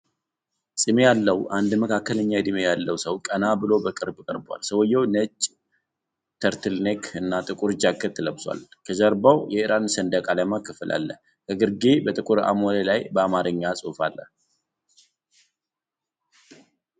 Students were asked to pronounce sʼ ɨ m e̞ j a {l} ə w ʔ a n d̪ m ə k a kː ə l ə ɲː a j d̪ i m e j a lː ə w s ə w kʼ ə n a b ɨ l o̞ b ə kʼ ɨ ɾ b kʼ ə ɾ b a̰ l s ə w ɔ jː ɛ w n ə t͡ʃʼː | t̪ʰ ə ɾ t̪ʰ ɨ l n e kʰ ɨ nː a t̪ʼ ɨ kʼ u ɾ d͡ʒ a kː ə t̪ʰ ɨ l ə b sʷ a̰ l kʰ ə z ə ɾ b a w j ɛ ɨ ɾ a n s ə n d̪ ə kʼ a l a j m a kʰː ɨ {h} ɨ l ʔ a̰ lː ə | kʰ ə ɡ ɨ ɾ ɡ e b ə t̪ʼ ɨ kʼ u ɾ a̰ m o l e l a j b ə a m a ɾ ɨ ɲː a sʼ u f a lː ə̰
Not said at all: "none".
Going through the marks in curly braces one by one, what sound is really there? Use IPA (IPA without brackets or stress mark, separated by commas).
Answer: lː, f